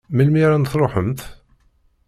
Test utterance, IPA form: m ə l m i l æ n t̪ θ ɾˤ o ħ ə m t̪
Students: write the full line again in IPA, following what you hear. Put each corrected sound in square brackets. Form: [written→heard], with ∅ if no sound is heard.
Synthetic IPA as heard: m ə l m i [l→ɾ] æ n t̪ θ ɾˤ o ħ ə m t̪